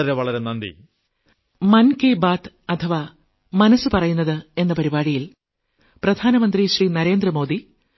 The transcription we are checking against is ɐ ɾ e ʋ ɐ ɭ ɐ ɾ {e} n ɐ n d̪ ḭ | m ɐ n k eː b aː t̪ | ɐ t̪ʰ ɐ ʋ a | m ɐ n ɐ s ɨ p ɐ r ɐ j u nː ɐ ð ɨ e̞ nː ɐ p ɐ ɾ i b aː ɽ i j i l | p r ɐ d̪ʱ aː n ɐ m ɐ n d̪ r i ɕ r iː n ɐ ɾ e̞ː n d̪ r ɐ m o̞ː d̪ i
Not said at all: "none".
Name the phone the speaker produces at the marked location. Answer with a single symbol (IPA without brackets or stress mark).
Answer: e